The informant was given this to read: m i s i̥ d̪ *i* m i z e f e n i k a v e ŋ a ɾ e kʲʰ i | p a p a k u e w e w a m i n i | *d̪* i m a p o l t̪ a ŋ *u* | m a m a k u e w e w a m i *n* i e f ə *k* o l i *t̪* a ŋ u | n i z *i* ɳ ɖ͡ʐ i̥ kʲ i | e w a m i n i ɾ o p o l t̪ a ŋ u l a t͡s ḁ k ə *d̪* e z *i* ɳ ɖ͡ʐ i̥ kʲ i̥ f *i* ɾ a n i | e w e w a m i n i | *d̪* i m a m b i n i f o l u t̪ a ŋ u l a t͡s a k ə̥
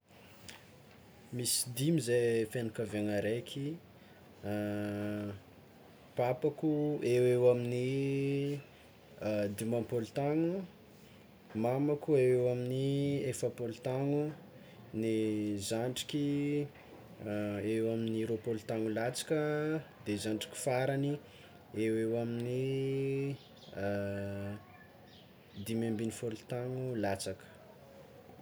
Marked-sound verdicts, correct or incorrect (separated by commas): correct, correct, correct, correct, incorrect, correct, incorrect, correct, incorrect, incorrect, correct